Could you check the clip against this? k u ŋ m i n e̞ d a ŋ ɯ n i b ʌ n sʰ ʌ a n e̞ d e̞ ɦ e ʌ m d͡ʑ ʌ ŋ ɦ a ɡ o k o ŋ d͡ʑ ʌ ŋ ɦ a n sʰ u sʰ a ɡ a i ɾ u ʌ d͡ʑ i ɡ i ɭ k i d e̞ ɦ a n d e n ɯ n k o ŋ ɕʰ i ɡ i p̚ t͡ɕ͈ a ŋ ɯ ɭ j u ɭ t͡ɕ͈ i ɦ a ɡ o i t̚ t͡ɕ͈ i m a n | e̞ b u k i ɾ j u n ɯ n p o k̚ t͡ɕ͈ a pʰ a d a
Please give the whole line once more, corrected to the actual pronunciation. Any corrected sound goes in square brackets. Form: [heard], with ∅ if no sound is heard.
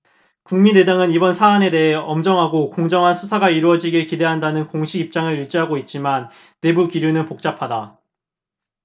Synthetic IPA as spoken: k u ŋ m i n e̞ d a ŋ ɯ n i b ʌ n sʰ [a] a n e̞ d e̞ ɦ e ʌ m d͡ʑ ʌ ŋ ɦ a ɡ o k o ŋ d͡ʑ ʌ ŋ ɦ a n sʰ u sʰ a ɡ a i ɾ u ʌ d͡ʑ i ɡ i ɭ k i d e̞ ɦ a n d [a] n ɯ n k o ŋ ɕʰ i ɡ i p̚ t͡ɕ͈ a ŋ ɯ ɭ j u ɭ t͡ɕ͈ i ɦ a ɡ o i t̚ t͡ɕ͈ i m a [nː] | e̞ b u k i ɾ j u n ɯ n p o k̚ t͡ɕ͈ a pʰ a d a